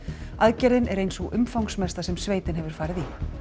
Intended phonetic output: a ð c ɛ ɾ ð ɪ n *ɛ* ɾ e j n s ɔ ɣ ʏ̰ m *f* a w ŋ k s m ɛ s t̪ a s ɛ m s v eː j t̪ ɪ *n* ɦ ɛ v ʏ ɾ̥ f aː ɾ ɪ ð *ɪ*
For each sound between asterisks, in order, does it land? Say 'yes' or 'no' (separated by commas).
yes, yes, yes, no